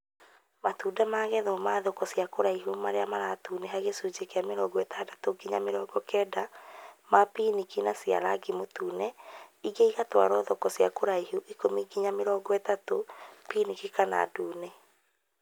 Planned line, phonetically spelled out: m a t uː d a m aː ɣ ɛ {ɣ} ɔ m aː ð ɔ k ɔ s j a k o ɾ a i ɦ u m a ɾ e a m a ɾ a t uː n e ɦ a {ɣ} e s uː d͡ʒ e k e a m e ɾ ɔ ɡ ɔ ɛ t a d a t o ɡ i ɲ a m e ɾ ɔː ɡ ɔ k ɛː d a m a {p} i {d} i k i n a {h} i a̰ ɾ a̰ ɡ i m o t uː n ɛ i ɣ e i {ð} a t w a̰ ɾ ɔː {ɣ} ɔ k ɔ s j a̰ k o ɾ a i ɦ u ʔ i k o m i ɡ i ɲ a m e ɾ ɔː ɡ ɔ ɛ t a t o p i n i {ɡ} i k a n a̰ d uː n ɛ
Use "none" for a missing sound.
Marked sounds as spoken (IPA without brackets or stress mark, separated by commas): ð, ɣ, p, n, s, ɣ, ð, k